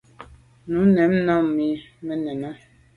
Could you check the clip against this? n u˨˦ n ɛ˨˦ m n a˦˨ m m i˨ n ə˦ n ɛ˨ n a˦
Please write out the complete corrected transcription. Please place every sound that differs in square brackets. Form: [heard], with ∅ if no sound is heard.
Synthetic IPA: n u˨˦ n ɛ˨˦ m n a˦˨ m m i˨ [m] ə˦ n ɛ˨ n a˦

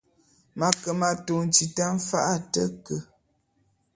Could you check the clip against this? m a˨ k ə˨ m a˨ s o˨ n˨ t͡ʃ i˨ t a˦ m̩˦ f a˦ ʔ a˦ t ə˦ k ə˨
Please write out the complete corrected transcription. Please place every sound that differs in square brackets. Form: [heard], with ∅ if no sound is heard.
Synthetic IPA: m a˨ k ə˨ m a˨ [t] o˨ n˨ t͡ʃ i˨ t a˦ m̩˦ f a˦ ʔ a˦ t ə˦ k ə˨

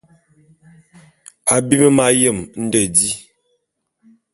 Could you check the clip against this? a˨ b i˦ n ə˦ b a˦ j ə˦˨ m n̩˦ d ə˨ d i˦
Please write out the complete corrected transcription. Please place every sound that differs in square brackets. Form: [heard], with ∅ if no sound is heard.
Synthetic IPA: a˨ b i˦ [m] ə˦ [m] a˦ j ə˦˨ m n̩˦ d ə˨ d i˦

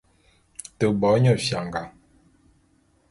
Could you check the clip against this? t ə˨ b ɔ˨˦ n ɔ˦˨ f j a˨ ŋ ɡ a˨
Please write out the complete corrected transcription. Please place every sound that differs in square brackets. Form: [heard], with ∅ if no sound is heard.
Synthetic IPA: t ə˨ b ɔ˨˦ [ɲ] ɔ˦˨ f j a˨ ŋ ɡ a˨

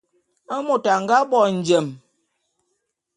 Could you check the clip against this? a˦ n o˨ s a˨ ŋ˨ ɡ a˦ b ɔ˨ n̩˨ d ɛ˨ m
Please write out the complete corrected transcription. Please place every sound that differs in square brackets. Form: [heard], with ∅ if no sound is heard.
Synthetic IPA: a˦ [m] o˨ [t] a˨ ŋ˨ ɡ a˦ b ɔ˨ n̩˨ [d͡ʒ] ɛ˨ m

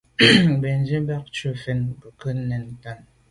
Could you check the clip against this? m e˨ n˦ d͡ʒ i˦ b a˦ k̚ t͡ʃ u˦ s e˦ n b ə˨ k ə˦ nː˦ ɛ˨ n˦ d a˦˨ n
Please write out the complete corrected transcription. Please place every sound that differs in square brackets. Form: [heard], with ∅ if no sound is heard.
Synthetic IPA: [b] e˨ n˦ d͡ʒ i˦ b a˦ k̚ t͡ʃ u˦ [f] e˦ n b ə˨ k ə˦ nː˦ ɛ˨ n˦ [t] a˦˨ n

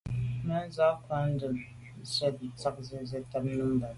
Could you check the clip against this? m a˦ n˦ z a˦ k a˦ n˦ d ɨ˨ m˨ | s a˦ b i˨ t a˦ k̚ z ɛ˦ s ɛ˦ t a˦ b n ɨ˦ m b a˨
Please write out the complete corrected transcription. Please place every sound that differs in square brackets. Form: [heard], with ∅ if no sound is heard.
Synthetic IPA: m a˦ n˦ z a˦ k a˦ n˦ d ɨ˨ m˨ | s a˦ b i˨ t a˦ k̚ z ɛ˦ [z] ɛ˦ t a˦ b n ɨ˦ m b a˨

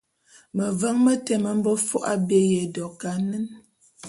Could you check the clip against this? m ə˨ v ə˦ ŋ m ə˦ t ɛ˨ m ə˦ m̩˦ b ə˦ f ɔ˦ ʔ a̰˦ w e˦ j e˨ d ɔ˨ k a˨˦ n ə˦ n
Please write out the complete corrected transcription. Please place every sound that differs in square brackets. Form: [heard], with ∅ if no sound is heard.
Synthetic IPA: m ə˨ v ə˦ ŋ m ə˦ t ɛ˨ m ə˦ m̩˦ b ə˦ f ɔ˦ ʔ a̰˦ [b] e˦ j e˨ d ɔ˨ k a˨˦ n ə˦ n

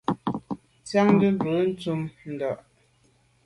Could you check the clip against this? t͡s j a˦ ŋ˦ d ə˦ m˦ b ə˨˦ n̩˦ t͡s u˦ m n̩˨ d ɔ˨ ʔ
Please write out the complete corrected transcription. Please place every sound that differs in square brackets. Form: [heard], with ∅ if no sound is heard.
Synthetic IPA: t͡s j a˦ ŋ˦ d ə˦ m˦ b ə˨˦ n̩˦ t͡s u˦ m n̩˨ d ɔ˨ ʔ

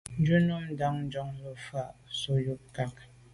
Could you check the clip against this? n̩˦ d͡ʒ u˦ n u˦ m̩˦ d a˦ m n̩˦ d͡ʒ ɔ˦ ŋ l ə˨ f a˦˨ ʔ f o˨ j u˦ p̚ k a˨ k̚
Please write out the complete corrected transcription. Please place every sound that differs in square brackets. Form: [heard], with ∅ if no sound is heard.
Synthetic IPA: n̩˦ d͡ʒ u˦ n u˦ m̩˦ d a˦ [ŋ] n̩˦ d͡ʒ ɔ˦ ŋ l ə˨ f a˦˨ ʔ [s] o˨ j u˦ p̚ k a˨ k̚

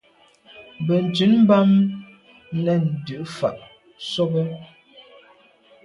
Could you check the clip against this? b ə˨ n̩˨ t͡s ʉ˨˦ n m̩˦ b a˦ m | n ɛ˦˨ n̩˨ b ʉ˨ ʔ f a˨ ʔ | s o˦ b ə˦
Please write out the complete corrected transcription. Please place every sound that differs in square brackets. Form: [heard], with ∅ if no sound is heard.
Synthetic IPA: b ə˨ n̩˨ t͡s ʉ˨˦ n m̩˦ b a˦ m | n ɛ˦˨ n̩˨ [d] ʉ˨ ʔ f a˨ ʔ | s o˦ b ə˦

